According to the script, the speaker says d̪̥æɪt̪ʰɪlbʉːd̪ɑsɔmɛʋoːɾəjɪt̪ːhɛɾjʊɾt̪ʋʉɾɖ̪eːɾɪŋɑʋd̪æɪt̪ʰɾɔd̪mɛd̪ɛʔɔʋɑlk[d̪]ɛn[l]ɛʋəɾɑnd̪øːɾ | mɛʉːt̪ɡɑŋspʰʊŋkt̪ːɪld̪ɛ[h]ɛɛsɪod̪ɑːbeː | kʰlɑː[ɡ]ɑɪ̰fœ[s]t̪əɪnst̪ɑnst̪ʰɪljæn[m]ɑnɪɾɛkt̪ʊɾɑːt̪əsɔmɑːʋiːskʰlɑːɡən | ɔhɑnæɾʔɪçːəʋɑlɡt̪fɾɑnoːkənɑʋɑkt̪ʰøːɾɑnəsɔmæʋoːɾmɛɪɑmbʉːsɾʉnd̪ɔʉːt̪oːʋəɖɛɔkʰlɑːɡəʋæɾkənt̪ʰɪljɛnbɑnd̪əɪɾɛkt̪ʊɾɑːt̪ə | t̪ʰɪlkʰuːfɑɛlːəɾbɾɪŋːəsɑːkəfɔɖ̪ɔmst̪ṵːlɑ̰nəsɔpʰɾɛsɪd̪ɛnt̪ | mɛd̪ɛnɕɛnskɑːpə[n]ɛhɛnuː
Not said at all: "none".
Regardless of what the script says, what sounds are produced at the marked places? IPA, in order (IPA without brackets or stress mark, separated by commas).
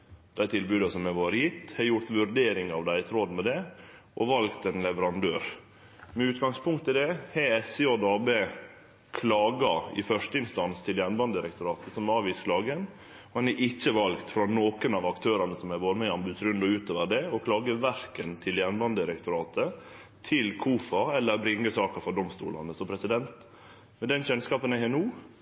t̪, l, h, ɡ, ʂ, b, n